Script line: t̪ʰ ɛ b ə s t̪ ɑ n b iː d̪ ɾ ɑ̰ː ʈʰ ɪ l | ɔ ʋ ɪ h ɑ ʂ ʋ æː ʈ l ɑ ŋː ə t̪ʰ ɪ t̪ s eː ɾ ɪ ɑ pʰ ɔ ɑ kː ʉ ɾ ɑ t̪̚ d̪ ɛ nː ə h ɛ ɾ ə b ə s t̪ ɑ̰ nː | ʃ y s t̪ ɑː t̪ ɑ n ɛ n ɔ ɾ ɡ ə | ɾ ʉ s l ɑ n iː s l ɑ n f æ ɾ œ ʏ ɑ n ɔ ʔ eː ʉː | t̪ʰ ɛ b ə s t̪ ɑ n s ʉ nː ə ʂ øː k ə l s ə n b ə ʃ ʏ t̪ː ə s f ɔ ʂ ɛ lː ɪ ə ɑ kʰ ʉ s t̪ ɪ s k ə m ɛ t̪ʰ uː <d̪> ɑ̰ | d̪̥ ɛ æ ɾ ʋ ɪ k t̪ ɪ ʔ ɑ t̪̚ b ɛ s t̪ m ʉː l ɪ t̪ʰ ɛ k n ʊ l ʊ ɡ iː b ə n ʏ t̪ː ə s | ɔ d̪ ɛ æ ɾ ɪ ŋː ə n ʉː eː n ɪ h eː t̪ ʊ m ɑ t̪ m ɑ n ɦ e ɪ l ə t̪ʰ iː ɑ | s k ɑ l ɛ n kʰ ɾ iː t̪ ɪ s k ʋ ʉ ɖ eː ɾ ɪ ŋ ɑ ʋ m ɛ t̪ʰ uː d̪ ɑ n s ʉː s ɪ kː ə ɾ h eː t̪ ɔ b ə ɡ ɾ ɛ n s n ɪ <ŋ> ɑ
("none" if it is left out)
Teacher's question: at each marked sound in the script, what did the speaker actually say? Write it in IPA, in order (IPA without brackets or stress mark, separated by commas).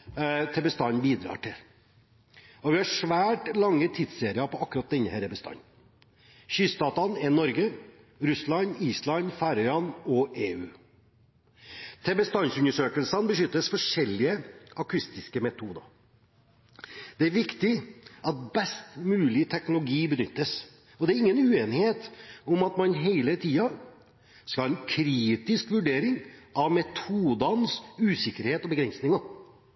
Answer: d̪, ŋ